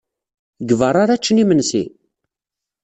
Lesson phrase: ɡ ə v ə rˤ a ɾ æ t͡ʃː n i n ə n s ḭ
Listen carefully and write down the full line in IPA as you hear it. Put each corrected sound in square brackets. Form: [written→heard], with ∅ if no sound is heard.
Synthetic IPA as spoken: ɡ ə v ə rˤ a ɾ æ t͡ʃː n i [n→m] ə n s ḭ